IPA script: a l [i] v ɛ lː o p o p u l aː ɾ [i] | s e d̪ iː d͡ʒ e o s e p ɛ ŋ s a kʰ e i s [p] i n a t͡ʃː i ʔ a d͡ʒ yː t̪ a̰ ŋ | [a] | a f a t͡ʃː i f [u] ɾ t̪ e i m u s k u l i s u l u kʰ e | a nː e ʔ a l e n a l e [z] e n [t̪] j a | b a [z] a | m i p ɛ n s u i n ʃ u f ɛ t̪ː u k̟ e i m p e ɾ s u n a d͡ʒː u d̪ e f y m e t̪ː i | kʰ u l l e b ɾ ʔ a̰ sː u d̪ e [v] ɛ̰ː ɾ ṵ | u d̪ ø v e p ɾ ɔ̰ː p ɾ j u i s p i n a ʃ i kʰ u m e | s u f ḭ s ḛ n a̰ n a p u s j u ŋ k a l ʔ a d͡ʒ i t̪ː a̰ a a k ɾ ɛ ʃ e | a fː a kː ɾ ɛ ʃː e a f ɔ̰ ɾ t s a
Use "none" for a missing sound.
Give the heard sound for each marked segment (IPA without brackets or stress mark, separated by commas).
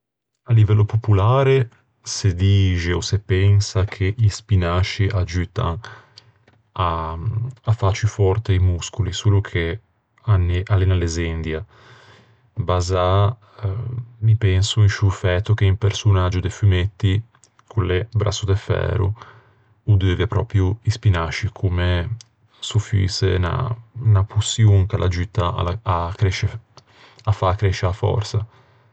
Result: i, e, p, a, ɔ, z, d̪, z, f